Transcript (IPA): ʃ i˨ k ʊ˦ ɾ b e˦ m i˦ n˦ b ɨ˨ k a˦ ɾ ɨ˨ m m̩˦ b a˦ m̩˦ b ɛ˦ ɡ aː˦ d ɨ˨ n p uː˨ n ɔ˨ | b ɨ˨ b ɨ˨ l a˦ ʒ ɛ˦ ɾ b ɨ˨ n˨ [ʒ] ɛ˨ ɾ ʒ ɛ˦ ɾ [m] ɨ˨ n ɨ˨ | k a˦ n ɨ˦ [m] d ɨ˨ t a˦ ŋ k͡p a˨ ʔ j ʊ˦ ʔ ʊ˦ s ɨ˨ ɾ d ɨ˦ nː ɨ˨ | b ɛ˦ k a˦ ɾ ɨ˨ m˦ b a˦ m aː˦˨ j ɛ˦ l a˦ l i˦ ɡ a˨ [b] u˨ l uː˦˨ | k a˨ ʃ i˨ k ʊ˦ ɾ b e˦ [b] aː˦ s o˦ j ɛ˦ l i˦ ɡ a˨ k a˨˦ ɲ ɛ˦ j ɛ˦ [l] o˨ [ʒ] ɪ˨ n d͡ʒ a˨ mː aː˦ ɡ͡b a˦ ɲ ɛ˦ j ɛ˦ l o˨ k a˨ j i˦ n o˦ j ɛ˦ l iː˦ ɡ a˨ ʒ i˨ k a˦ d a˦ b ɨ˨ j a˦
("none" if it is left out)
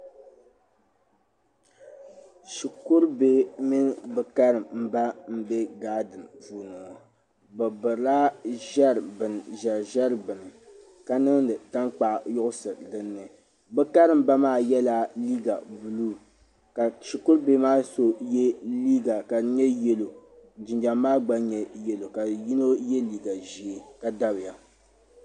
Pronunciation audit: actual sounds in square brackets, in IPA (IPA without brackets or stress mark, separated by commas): ʒ, b, ŋ, b, m, l, d͡ʒ